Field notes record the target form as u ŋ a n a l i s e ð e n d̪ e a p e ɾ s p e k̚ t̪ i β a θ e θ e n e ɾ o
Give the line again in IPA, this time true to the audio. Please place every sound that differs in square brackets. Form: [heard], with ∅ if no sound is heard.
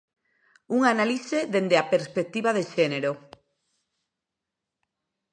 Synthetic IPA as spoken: u ŋ a n a l i s e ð e n d̪ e a p e ɾ s p e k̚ t̪ i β a [ð] e [ʃ] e n e ɾ o